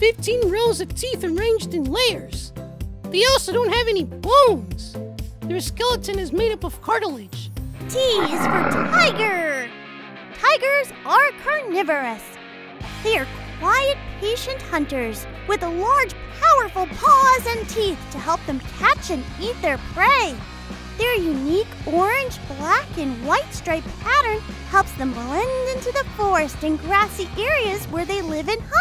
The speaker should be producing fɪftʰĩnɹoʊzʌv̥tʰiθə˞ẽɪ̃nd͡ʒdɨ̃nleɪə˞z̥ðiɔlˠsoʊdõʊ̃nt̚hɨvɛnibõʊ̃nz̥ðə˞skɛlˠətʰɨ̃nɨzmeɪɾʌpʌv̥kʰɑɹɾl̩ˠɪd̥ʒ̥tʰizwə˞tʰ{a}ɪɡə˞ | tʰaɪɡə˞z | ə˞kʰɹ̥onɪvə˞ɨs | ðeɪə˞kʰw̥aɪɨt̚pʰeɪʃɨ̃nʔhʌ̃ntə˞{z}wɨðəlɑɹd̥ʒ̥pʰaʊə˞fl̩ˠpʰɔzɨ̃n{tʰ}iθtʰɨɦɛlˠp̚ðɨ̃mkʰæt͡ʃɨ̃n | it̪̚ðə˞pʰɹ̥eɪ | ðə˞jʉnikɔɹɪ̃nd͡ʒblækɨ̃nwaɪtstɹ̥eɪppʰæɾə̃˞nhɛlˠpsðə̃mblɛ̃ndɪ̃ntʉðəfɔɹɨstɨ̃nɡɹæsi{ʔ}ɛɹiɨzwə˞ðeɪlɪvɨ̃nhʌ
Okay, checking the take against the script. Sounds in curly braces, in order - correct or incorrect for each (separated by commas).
correct, correct, correct, correct